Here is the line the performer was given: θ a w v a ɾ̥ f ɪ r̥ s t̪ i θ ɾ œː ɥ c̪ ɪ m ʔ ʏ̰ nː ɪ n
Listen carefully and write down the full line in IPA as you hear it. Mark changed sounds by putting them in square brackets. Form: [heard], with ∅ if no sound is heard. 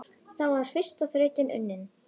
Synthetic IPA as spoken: θ a w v a ɾ̥ f ɪ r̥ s t̪ [a] θ ɾ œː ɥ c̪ ɪ [n] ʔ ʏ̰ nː ɪ n